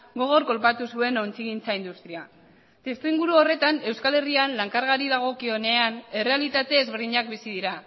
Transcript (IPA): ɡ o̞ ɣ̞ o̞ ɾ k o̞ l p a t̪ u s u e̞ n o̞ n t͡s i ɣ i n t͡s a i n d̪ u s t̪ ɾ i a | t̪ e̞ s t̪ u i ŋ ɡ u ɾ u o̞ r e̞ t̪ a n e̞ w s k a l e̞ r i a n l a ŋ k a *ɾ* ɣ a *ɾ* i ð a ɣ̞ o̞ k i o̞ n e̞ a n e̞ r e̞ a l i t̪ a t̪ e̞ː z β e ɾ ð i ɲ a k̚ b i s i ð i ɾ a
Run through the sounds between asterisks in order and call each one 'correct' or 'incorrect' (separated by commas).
correct, correct